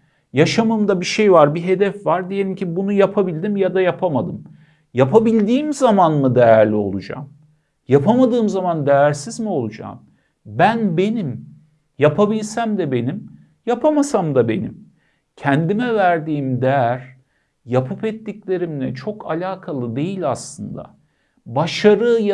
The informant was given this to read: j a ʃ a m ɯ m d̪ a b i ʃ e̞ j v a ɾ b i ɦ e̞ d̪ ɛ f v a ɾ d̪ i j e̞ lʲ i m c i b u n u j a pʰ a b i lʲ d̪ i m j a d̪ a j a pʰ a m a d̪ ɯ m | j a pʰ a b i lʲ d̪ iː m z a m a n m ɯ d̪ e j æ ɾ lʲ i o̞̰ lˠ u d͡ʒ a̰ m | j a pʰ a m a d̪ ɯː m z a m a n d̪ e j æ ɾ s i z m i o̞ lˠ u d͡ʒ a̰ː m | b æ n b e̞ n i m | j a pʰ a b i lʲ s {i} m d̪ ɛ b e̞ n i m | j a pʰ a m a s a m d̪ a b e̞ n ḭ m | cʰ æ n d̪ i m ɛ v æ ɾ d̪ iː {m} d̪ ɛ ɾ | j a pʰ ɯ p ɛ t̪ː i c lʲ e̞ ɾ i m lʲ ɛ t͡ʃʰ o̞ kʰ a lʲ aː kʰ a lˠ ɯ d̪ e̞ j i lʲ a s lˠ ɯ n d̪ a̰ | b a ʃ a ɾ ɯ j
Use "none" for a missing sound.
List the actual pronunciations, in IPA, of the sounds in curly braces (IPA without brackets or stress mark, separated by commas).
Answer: æ, m